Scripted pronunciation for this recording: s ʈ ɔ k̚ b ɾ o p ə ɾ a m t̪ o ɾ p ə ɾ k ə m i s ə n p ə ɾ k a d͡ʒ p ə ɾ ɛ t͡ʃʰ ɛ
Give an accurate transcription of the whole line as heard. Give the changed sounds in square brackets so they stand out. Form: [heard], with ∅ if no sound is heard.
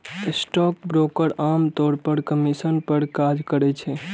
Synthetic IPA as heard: s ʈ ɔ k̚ b ɾ o [k] ə ɾ a m t̪ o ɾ p ə ɾ k ə m i s ə n p ə ɾ k a d͡ʒ [k] ə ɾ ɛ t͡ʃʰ ɛ